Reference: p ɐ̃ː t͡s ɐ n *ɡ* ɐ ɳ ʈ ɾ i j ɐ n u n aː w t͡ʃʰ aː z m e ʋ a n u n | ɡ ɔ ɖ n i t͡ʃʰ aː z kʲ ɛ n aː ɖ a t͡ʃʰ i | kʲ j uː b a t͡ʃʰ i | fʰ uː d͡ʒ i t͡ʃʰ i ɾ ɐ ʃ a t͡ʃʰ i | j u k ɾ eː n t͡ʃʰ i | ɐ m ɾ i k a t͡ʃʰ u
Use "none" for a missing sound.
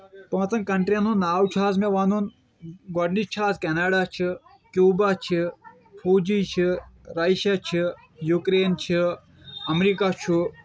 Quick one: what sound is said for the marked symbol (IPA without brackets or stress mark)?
k